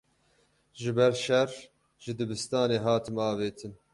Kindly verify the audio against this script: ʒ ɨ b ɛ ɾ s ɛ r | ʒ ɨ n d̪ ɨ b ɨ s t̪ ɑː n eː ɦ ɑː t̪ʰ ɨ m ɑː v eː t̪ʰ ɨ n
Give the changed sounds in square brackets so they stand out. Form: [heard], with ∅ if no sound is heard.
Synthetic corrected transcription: ʒ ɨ b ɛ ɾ [ʃ] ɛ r | ʒ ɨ [∅] d̪ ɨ b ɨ s t̪ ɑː n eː ɦ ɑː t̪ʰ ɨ m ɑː v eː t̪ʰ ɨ n